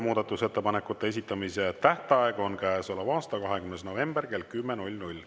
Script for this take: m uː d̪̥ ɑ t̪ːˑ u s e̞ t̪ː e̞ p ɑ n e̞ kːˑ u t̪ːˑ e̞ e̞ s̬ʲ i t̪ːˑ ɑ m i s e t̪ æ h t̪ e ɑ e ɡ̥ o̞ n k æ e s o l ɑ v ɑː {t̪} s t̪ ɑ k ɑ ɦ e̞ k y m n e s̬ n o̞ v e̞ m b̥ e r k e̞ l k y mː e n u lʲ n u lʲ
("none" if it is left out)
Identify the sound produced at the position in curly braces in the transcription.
none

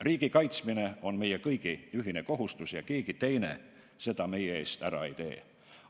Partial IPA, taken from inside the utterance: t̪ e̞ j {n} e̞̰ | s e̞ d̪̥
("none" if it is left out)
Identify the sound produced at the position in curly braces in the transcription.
n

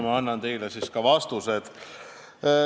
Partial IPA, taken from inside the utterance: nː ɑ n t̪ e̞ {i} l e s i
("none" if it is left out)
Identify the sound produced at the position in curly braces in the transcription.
j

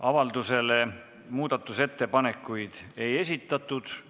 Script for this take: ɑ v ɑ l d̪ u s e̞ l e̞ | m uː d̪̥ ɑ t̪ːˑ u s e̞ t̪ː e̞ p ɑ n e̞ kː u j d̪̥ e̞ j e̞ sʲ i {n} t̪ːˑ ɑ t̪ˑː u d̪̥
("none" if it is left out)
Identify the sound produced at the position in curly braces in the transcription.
none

